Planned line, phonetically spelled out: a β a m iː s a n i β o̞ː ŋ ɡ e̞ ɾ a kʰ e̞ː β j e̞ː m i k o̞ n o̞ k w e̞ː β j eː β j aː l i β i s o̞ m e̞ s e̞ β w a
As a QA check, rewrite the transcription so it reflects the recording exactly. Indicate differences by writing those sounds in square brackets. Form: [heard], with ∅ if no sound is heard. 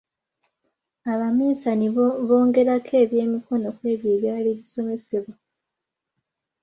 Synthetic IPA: a β a m iː s a n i β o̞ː ŋ ɡ e̞ ɾ a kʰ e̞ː β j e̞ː m i k o̞ n o̞ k w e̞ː β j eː β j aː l i β i s o̞ m e̞ s e̞ β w a